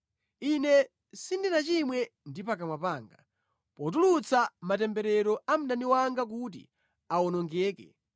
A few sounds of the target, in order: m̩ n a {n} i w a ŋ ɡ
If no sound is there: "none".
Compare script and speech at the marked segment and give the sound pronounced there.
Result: n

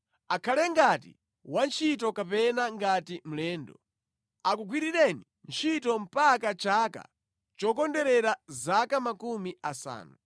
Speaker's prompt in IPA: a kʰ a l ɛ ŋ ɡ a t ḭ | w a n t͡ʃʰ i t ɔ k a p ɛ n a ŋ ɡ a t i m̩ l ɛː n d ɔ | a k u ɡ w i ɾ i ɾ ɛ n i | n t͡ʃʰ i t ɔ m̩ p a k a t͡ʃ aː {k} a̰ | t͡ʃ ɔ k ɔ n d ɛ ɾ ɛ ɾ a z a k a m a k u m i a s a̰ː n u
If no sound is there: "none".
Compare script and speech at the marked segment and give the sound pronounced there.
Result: k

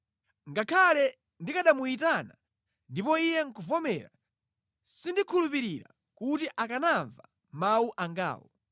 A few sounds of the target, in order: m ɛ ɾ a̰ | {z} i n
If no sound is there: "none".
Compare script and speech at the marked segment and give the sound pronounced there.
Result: s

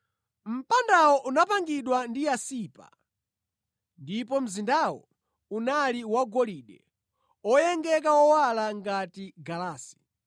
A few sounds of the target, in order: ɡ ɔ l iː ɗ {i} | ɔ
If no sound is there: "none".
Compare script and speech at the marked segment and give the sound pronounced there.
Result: ɛ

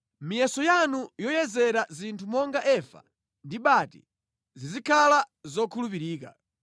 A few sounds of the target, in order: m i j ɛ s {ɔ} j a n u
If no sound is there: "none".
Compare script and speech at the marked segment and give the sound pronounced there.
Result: ɔ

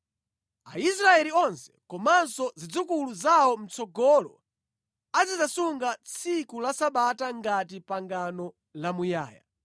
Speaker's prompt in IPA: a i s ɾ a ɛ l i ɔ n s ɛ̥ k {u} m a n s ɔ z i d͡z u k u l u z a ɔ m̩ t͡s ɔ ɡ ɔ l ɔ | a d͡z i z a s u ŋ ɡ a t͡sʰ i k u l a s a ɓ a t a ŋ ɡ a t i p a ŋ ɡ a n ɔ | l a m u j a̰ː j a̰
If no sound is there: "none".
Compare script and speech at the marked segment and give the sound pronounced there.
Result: ɔ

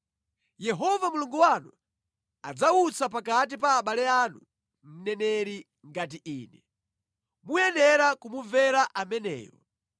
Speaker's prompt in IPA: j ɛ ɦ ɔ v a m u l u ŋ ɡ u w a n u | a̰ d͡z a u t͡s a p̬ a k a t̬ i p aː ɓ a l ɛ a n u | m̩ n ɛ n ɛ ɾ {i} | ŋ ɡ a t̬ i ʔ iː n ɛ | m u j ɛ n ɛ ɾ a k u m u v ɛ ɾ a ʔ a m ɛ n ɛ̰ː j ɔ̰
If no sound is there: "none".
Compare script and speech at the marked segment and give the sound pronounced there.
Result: i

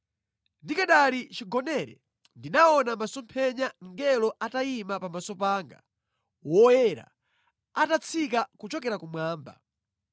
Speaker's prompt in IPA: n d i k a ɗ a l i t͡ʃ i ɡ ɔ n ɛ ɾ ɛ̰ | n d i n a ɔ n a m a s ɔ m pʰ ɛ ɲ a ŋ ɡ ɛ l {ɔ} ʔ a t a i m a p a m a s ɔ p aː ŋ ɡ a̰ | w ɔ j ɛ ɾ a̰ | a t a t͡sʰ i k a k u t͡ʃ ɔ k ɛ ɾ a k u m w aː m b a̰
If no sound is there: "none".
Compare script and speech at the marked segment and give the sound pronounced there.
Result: ɔ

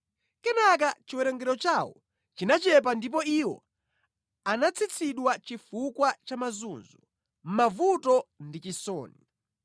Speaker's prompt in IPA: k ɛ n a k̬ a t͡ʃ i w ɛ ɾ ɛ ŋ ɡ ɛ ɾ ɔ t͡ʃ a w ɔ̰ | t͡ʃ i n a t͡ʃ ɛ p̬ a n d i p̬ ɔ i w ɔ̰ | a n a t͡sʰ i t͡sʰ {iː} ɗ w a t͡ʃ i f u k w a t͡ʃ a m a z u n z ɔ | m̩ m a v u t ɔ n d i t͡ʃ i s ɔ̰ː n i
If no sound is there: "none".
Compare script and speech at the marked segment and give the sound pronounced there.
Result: i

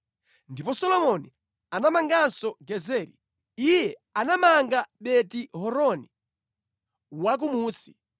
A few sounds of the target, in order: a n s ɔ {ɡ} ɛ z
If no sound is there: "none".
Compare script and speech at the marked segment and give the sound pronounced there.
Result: ɡ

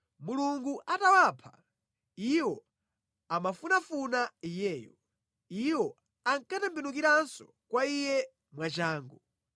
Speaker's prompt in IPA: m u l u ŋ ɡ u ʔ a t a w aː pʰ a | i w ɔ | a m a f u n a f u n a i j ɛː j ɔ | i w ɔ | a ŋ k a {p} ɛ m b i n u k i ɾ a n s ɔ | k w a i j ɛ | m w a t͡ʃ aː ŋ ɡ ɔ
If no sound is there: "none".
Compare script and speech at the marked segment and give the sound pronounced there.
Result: t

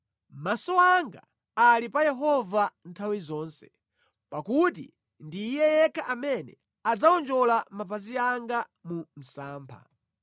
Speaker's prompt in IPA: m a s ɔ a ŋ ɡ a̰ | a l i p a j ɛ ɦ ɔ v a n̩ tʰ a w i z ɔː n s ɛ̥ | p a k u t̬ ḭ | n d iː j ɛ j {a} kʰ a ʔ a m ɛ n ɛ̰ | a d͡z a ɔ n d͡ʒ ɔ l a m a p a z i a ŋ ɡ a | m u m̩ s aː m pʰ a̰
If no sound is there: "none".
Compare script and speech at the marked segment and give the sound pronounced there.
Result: ɛ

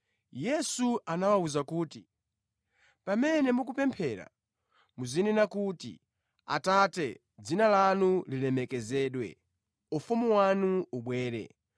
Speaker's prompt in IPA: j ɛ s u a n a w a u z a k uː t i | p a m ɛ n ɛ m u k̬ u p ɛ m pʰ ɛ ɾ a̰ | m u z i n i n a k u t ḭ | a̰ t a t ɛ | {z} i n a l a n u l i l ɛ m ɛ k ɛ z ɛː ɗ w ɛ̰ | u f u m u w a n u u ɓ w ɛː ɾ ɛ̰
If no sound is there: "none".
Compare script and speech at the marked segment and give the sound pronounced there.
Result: d͡z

